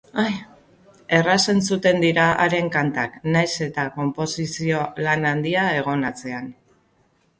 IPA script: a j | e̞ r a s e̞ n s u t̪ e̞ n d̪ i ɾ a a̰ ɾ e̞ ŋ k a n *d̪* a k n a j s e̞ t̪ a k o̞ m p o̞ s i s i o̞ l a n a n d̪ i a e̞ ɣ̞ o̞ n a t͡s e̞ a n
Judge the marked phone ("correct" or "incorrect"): incorrect